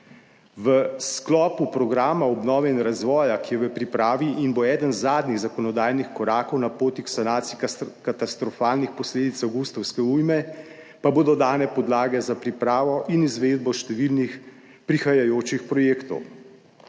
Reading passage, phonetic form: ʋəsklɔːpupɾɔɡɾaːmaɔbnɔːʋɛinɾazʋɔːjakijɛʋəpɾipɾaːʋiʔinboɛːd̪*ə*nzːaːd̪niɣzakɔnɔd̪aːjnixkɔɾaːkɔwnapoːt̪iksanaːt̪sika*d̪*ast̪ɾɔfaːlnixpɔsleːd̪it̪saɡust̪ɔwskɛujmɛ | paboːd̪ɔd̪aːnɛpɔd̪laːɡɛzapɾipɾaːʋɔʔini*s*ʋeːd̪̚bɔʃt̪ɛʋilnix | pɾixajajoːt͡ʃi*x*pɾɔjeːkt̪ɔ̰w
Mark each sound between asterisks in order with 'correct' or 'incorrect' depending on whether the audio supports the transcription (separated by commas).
correct, incorrect, incorrect, correct